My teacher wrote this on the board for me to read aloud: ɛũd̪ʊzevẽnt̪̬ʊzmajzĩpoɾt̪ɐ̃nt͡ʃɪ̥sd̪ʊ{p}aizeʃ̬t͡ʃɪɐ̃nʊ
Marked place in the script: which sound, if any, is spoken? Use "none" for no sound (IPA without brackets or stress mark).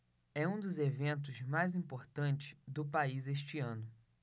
p